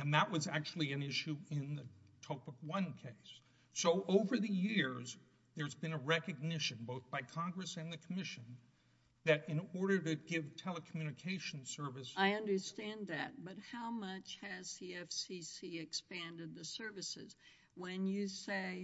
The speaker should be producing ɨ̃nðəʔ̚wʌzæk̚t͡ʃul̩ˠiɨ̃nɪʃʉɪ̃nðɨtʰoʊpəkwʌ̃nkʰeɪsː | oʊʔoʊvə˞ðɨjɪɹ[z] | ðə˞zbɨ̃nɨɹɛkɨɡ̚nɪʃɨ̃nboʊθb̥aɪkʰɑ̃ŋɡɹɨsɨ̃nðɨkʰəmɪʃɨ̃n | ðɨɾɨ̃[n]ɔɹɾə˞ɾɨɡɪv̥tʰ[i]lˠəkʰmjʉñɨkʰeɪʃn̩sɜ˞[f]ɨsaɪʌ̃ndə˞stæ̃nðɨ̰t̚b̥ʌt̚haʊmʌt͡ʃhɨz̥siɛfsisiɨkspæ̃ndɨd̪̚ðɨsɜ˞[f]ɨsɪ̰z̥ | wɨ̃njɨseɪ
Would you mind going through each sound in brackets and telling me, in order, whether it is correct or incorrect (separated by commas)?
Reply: correct, correct, incorrect, incorrect, incorrect